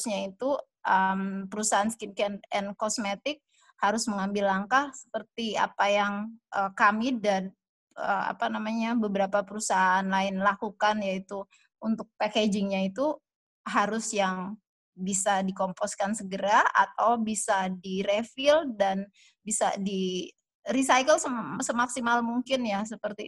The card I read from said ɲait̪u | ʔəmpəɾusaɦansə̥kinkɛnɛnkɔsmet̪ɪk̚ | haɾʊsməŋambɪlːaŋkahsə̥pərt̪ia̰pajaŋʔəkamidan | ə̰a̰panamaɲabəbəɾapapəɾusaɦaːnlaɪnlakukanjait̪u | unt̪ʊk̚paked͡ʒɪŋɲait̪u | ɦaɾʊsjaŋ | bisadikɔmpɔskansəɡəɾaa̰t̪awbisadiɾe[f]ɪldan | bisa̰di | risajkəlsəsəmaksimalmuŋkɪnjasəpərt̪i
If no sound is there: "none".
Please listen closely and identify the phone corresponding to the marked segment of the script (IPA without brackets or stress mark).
f